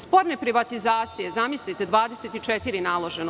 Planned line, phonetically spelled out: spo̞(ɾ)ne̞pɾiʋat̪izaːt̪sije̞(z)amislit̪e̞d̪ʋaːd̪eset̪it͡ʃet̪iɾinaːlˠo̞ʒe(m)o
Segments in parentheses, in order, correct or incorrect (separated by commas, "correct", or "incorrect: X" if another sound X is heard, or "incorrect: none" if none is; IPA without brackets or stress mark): correct, correct, incorrect: n